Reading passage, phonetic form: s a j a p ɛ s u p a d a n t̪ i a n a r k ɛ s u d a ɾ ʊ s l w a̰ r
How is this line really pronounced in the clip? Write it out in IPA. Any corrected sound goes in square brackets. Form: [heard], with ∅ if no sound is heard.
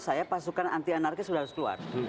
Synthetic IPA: s a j a p [a] s u [k] a [n] a n t̪ i a n a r k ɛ s u d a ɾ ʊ s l [u] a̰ r

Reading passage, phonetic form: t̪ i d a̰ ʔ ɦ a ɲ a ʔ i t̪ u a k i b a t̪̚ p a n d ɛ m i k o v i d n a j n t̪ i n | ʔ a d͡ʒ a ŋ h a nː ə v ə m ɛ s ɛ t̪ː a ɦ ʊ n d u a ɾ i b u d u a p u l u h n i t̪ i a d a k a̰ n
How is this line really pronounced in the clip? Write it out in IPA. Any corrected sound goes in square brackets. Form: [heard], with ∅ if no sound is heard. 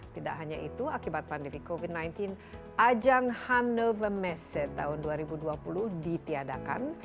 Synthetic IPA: t̪ i d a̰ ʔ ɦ a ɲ a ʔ i t̪ u a k i b a t̪̚ p a n d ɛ m i k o v i d n a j n t̪ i n | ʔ a d͡ʒ a ŋ h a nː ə v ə m ɛ s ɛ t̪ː a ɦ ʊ n d u a ɾ i b u d u a p u l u h [d] i t̪ i a d a k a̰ n

